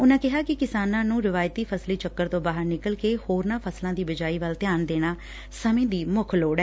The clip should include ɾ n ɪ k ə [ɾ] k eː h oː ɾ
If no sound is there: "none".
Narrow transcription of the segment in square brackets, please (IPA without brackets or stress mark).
l